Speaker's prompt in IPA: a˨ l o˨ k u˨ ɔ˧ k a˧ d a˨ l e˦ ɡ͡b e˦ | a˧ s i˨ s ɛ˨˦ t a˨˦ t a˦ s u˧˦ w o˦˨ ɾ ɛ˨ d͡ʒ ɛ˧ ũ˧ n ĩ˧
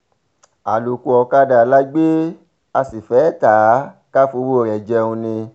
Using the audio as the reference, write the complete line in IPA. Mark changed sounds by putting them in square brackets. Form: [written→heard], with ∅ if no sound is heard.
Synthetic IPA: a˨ l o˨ k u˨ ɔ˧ k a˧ d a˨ l [e˦→a˦] ɡ͡b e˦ | a˧ s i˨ [s→f] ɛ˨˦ t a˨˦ [t→k] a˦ [s→f] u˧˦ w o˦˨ ɾ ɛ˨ d͡ʒ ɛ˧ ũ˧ n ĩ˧